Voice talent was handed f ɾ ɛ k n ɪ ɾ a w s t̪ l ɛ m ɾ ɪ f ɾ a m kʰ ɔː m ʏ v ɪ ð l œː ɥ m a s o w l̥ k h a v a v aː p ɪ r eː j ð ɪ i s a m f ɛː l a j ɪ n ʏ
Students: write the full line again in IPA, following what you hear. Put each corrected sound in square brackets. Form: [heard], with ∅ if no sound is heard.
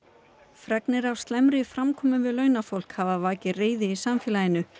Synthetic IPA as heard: f ɾ ɛ k n ɪ ɾ a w s t̪ l ɛ m ɾ ɪ f ɾ a m kʰ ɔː m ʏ v ɪ ð l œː ɥ [n] a [f] o w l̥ k h a v a v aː [c] ɪ r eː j ð ɪ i s a m f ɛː l a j ɪ n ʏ